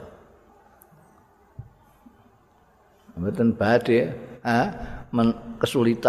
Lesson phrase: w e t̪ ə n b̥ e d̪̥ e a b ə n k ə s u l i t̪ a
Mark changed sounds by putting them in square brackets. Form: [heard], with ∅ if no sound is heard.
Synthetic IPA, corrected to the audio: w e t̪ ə n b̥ [a] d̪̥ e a [m] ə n k ə s u l i t̪ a